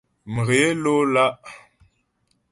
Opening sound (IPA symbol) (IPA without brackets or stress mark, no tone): m